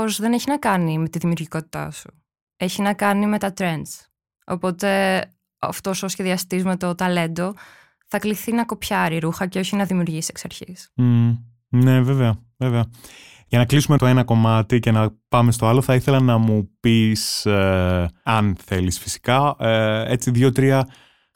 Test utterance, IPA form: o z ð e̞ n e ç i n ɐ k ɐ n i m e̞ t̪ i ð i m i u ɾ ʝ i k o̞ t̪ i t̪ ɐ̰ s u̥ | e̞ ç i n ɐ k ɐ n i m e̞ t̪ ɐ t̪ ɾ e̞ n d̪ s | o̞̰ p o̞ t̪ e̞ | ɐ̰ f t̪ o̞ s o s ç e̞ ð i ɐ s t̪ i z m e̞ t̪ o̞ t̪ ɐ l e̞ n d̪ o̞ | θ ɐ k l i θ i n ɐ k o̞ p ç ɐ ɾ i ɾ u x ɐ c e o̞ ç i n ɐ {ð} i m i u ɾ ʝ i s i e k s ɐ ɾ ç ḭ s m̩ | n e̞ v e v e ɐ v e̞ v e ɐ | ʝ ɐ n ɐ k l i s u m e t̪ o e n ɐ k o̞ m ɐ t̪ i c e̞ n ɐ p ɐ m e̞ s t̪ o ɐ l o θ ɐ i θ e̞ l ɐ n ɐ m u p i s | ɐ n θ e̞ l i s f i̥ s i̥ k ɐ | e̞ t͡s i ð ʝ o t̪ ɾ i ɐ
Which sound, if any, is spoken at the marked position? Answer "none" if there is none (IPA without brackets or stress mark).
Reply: ð